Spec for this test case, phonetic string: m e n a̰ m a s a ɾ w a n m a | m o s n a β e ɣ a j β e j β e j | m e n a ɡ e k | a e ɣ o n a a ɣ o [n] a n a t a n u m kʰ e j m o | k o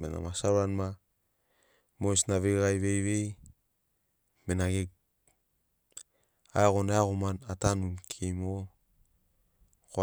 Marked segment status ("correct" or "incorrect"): incorrect